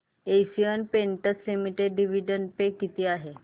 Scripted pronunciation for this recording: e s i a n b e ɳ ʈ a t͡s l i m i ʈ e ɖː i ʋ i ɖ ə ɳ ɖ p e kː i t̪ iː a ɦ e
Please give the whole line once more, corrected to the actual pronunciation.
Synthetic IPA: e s i ə n p e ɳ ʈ ə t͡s l i m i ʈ e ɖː i ʋ i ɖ ə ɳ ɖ p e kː i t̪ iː a ɦ e

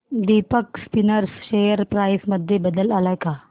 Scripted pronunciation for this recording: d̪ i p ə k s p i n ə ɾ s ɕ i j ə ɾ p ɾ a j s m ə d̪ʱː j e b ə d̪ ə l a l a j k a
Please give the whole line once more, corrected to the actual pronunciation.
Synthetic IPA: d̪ i p ə k s p i n ə ɾ s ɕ e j ə ɾ p ɾ a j s m ə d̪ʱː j e b ə d̪ ə l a l a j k a

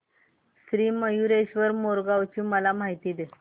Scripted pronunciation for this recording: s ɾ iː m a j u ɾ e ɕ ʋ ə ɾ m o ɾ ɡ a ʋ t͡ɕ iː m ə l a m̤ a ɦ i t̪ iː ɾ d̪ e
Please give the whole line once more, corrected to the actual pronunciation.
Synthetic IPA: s ɾ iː m ə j u ɾ e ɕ ʋ ə ɾ m o ɾ ɡ a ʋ t͡ɕ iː m ə l a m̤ a ɦ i t̪ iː d̪ e

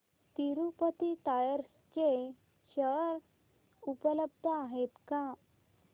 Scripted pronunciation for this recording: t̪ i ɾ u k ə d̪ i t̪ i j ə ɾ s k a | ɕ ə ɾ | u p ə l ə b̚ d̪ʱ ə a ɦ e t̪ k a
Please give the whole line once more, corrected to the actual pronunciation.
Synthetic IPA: t̪ i ɾ u p ə t̪ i t̪ a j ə ɾ s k e | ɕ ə ɾ | u p ə l ə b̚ d̪ʱ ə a ɦ e t̪ k a

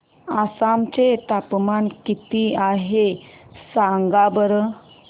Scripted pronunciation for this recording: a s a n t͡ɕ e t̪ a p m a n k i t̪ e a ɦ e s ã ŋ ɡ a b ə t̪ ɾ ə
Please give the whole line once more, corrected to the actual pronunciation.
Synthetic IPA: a s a m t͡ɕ e t̪ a p m a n k i t̪ i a ɦ e s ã ŋ ɡ a b ə ɾ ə

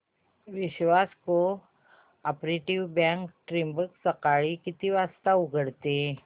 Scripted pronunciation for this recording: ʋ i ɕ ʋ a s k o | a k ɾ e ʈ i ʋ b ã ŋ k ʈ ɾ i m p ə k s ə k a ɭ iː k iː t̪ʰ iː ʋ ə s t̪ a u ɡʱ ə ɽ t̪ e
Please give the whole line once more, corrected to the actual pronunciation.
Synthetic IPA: ʋ i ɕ ʋ a s k o | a p ɾ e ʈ i ʋ b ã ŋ k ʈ ɾ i m b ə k s ə k a ɭ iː k i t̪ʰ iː ʋ a s t̪ a u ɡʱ ə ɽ t̪ e

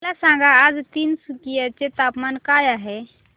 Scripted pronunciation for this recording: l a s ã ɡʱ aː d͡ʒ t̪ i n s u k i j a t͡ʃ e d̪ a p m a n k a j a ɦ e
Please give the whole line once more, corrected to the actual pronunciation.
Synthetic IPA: l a s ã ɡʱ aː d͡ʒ t̪ i n s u k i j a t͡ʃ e t̪ a p m a n k a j a ɦ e

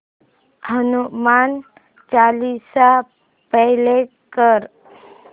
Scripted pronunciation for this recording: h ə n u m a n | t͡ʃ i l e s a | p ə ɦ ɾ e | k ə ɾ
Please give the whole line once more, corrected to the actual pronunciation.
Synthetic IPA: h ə n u m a n | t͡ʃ a l i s a | p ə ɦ l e | k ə ɾ

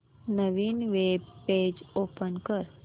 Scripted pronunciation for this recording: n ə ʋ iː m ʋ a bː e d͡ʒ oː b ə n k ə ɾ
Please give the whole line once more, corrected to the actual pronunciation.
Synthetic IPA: n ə ʋ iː n ʋ e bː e d͡ʒ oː p ə n k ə ɾ

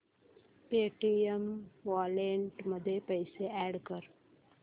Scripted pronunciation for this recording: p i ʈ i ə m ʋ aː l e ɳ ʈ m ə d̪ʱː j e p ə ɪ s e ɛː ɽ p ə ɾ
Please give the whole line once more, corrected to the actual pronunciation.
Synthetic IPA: p e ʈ i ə m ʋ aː l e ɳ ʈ m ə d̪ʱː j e p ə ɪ s e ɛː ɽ k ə ɾ

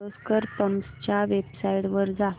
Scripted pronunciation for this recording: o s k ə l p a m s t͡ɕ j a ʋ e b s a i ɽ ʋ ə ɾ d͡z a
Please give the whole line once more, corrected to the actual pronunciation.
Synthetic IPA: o s k ə ɾ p ə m s t͡ɕ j a ʋ e b s a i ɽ ʋ ə ɾ d͡z a

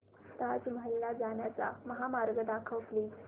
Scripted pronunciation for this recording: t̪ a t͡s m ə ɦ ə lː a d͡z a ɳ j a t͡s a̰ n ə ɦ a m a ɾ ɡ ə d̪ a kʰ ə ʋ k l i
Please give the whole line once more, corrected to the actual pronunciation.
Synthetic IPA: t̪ a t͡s m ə ɦ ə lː a d͡z a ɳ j a t͡s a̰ m ə ɦ a m a ɾ ɡ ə d̪ a kʰ ə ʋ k l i

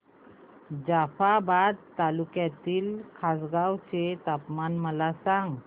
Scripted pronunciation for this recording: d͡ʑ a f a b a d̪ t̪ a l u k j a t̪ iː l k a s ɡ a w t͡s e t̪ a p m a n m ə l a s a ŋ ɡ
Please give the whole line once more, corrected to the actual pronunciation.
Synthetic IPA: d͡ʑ a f a b a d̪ t̪ a l u k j a t̪ iː l kʰ a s ɡ a w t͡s e t̪ a p m a n m ə l a s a ŋ ɡ

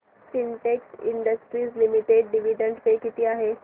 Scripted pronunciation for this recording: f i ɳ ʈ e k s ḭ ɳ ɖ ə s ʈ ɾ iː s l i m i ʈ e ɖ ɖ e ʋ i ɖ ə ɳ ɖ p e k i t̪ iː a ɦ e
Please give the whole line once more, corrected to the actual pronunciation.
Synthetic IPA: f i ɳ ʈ e k s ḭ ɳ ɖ ə s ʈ ɾ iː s l i m i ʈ e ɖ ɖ i ʋ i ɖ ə ɳ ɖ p e k i t̪ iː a ɦ e

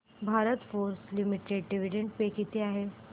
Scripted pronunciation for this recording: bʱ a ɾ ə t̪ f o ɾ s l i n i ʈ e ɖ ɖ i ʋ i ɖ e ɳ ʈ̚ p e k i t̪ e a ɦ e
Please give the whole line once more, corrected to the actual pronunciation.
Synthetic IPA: bʱ a ɾ ə t̪ f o ɾ s l i m i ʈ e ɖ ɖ i ʋ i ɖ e ɳ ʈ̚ p e k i t̪ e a ɦ e

